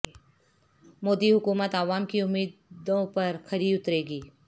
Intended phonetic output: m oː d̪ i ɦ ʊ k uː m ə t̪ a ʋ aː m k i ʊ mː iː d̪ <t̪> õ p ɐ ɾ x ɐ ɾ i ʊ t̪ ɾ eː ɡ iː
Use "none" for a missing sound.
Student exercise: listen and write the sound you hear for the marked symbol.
d̪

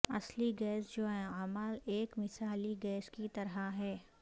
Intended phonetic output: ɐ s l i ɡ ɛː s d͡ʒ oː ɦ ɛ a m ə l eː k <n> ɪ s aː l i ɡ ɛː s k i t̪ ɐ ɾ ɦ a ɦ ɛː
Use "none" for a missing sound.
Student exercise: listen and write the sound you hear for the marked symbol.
m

